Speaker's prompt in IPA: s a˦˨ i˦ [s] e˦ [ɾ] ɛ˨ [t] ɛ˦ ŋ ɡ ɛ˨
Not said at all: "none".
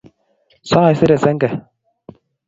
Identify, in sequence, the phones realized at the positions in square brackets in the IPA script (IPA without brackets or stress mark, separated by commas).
s, ɾ, s